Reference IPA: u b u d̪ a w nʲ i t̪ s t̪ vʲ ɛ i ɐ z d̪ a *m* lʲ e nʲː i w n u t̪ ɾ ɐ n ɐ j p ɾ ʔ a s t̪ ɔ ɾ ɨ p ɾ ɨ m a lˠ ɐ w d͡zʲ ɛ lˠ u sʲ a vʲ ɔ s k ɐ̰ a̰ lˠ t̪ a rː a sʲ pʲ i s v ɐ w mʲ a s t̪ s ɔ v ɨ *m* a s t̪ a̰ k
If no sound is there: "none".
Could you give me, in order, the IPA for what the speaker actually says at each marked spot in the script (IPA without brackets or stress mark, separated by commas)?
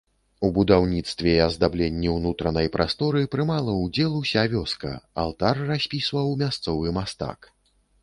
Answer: b, m